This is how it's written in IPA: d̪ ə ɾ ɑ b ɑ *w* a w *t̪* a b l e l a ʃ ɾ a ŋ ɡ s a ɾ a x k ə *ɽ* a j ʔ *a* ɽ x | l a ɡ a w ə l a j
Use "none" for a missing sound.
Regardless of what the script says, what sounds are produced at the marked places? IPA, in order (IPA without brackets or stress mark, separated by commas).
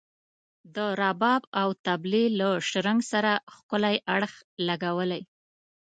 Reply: b, t̪, l, a